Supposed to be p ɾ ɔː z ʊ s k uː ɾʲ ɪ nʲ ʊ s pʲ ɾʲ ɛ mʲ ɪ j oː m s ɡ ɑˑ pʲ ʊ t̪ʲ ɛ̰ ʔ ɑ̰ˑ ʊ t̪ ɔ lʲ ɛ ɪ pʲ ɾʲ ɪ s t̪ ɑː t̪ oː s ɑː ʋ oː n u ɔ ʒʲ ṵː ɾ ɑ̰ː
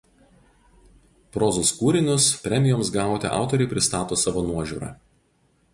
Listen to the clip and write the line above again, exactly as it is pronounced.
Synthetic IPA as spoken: p ɾ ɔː z ʊ s k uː ɾʲ ɪ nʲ ʊ s pʲ ɾʲ ɛ mʲ ɪ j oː m s ɡ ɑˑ ʊ t̪ʲ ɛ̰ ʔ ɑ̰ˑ ʊ t̪ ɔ ɾʲ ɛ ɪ pʲ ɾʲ ɪ s t̪ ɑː t̪ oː s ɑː ʋ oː n u ɔ ʒʲ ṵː ɾ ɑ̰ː